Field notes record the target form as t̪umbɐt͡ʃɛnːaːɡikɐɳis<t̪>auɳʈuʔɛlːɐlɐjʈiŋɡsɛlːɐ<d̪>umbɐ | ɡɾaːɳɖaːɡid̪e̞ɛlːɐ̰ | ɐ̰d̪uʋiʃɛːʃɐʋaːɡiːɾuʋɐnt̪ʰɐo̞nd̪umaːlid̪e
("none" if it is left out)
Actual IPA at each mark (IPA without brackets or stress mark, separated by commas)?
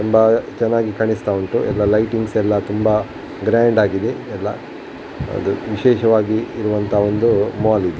t̪, t̪